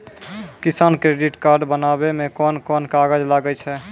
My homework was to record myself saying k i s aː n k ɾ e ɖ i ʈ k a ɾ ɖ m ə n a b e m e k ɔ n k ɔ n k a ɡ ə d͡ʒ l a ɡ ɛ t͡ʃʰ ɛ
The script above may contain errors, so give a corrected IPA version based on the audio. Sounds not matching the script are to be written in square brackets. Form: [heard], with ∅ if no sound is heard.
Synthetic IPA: k i s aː n k ɾ e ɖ i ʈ k a ɾ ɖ [b] ə n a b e m e k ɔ n k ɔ n k a ɡ ə d͡ʒ l a ɡ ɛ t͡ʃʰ ɛ